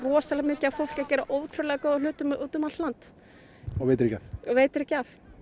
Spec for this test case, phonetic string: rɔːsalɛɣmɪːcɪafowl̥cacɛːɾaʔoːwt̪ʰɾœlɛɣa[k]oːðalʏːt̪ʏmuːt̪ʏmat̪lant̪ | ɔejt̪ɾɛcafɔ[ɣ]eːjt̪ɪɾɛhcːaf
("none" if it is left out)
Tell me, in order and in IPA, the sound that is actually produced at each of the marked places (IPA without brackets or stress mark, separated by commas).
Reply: k, v